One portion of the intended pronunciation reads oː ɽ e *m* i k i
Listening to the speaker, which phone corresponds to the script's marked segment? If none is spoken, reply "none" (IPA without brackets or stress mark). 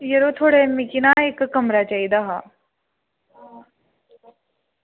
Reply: m